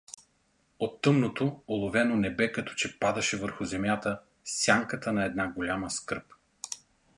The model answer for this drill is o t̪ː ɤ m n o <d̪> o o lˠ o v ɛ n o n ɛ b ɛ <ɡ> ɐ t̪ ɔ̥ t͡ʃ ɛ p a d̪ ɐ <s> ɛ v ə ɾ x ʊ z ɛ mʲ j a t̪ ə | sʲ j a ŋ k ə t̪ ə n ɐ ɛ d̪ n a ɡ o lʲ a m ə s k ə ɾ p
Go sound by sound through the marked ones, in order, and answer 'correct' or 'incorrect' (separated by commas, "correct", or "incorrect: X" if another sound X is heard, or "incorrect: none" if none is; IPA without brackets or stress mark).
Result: incorrect: t̪, incorrect: k, incorrect: ʃ